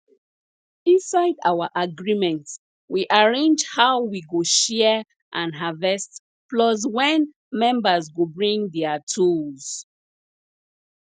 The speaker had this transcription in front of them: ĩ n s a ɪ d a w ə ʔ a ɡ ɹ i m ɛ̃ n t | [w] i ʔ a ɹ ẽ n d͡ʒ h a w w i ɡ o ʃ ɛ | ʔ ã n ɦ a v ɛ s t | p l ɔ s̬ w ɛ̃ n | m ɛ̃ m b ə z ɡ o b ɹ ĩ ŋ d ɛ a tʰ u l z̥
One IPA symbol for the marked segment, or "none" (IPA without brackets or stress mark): w